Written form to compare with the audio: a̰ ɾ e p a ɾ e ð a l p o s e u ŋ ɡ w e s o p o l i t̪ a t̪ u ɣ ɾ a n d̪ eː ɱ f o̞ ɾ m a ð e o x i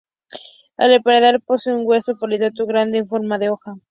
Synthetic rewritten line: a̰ l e p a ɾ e ð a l p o s e u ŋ ɡ w e s o p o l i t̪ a t̪ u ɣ ɾ a n d̪ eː ɱ f o̞ ɾ m a ð e o x a